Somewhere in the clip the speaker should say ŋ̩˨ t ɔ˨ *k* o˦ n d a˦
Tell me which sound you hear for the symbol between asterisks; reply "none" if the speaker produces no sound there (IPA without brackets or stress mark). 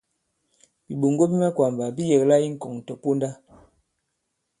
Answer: p